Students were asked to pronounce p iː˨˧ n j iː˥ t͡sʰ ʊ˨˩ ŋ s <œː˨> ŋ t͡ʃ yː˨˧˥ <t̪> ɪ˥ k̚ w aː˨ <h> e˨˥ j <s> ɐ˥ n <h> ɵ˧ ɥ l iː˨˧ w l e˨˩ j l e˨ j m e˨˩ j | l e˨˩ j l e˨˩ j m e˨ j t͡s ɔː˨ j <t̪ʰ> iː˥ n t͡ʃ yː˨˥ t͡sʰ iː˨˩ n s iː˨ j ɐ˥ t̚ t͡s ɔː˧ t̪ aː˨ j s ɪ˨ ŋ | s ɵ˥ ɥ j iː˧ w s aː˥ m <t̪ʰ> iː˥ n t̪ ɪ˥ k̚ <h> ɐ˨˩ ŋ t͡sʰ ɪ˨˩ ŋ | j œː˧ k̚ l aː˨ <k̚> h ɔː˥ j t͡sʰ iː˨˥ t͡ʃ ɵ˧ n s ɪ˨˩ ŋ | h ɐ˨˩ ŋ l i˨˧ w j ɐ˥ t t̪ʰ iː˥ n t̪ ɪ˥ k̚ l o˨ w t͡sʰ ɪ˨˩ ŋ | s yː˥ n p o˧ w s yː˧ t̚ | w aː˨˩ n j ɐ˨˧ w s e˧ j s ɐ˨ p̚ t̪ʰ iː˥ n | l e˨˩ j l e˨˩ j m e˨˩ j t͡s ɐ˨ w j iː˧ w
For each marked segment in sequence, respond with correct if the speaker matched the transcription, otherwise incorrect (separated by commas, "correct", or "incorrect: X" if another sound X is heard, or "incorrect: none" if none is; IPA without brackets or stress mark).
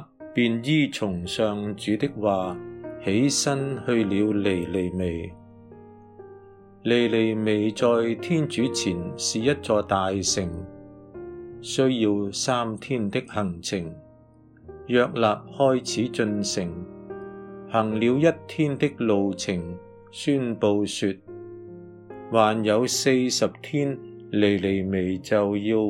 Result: correct, correct, correct, correct, correct, correct, correct, correct, incorrect: p̚